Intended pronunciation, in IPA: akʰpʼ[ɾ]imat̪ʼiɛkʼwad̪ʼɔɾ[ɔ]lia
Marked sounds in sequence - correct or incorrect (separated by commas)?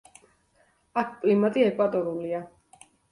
incorrect, incorrect